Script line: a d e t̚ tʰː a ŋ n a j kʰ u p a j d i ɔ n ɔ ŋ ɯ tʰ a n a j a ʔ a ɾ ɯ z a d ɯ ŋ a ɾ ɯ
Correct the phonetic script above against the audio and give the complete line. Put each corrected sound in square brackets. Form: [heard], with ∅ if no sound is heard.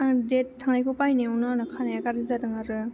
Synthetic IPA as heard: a d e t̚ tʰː a ŋ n a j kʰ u p a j [n] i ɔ n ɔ [n] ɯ [kʰ] a n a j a [k] a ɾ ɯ z a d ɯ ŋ a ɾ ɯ